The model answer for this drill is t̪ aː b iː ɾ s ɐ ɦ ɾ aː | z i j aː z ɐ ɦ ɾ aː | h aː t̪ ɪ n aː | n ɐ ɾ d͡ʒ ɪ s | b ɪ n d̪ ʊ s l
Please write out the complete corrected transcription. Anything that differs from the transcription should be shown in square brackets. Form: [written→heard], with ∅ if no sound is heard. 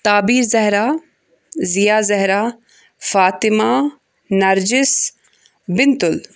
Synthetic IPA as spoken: t̪ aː b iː ɾ [s→z] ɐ ɦ ɾ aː | z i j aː z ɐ ɦ ɾ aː | [h→f] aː t̪ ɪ [n→m] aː | n ɐ ɾ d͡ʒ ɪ s | b ɪ n [d̪→t̪] ʊ [s→∅] l